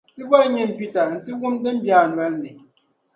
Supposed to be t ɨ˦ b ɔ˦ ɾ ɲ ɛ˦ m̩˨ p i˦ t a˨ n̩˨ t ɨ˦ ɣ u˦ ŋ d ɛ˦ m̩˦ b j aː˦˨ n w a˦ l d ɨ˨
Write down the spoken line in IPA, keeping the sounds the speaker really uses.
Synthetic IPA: t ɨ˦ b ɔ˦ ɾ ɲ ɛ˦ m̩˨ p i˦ t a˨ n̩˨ t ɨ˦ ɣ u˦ m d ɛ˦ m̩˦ b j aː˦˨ n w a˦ l n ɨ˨